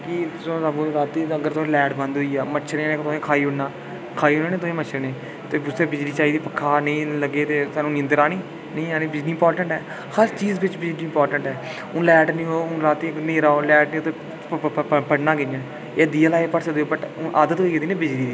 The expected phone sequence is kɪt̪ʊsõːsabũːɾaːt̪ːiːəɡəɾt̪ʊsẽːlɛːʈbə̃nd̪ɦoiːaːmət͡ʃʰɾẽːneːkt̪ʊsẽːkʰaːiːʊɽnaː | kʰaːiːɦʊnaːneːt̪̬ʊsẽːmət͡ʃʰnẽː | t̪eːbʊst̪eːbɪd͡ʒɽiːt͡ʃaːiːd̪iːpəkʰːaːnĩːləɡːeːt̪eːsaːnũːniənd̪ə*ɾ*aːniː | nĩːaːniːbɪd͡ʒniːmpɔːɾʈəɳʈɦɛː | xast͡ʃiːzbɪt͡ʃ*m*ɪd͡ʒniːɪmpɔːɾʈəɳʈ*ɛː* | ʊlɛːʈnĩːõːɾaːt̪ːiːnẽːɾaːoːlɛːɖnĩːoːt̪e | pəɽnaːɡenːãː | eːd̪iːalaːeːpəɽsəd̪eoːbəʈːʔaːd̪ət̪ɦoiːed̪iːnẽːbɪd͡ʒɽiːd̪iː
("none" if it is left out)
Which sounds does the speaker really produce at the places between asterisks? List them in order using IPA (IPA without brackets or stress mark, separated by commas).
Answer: ɾ, b, ɛː